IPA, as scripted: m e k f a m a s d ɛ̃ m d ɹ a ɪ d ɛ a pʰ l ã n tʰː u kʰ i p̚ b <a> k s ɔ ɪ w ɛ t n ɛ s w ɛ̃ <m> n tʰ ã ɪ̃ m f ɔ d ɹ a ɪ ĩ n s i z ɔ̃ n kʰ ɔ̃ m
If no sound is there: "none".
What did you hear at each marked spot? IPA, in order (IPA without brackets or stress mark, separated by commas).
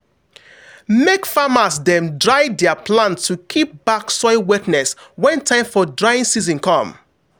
a, none